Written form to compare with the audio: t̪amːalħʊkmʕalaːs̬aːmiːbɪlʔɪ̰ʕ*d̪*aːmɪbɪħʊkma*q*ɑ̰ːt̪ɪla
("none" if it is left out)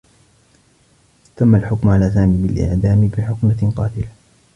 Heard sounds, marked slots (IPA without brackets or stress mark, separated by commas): d̪, q